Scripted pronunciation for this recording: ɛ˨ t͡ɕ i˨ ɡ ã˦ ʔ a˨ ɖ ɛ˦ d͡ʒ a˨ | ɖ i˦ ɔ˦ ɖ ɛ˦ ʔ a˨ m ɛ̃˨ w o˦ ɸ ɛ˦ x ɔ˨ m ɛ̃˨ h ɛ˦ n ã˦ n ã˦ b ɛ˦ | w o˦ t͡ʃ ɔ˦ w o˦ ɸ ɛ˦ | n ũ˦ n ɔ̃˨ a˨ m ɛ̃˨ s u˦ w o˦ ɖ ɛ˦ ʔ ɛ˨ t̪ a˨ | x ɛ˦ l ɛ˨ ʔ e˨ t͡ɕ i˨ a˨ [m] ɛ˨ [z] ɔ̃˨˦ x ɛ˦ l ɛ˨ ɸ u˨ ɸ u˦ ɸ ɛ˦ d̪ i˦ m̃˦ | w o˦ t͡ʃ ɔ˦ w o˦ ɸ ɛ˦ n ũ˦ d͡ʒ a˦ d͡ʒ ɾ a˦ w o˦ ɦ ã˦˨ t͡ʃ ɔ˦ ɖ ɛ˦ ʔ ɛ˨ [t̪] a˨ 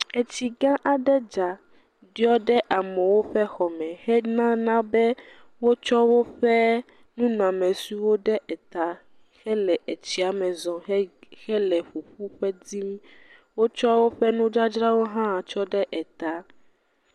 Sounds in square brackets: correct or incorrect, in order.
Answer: correct, correct, correct

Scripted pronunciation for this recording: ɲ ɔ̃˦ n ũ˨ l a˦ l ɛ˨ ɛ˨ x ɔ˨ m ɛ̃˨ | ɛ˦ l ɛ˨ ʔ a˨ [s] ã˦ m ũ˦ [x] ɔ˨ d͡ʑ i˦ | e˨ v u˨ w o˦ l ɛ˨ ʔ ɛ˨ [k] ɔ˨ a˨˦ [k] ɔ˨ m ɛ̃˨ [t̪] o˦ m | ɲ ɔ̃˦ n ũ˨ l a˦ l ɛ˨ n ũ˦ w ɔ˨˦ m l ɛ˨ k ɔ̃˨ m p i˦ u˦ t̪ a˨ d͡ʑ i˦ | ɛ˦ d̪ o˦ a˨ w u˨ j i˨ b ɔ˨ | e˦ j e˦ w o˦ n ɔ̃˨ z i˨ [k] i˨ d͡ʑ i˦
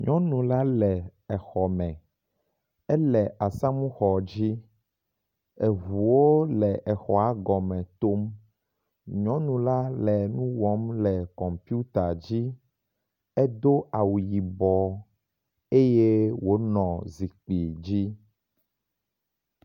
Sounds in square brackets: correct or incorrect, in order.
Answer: correct, correct, incorrect: x, incorrect: ɡ, correct, incorrect: k͡p

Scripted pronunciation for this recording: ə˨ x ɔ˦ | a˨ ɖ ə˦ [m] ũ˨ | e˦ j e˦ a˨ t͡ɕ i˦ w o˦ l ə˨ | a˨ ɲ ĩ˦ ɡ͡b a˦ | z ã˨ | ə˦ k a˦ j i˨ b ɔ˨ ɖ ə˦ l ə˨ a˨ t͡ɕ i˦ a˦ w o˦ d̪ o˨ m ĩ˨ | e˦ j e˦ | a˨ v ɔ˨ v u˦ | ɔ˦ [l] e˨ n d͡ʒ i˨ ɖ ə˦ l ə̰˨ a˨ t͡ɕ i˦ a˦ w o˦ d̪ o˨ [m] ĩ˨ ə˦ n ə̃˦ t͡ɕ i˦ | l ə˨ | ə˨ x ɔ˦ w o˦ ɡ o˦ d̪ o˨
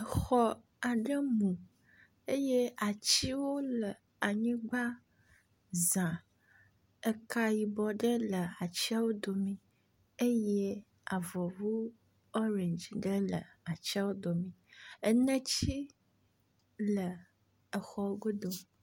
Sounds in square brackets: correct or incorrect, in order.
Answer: correct, incorrect: ɾ, correct

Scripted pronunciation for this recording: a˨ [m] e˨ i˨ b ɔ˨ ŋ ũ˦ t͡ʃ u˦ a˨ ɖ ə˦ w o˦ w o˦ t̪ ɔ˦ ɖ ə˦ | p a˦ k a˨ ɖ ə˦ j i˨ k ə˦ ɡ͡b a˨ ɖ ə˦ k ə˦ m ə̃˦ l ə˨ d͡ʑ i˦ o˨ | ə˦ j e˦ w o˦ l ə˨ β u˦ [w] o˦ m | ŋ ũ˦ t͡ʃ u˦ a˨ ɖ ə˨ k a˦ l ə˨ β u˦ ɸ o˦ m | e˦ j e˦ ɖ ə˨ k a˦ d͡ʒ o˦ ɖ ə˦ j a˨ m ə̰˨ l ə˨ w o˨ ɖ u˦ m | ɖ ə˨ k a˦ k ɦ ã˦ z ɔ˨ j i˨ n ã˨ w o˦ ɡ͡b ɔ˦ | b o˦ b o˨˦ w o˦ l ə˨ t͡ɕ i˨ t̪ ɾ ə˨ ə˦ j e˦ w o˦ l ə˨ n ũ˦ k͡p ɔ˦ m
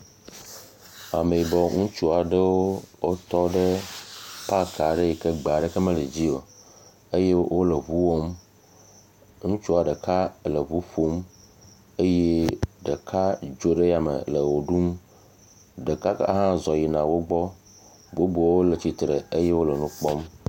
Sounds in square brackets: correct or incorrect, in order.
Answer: correct, correct

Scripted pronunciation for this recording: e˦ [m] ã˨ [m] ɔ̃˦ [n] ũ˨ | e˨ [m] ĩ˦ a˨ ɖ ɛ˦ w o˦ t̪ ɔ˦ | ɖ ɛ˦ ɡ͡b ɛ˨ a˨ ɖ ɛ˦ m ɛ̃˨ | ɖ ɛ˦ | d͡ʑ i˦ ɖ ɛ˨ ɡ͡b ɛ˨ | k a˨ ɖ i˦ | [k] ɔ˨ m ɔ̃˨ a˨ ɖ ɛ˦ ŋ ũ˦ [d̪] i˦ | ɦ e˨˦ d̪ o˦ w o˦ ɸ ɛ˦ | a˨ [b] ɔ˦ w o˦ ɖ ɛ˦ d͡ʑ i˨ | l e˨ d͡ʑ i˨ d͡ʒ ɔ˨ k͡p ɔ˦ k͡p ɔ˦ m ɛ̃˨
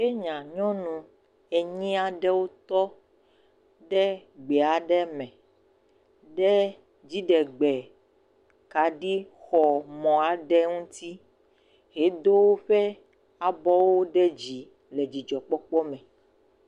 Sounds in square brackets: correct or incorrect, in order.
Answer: incorrect: ɲ, incorrect: ɲ, correct, incorrect: ɲ, incorrect: x, incorrect: t̪, correct

